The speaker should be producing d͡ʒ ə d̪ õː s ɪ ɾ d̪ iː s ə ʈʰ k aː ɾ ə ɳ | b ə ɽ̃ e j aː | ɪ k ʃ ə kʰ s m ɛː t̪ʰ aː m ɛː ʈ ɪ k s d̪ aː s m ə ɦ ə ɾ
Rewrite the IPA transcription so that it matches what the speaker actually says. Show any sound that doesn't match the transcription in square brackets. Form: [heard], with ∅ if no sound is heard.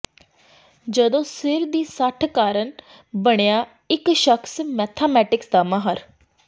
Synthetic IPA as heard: d͡ʒ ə d̪ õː s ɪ ɾ d̪ iː s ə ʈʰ k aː ɾ ə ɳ | b ə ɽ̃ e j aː | ɪ k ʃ ə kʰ s m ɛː t̪ʰ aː m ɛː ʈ ɪ k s d̪ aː [∅] m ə ɦ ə ɾ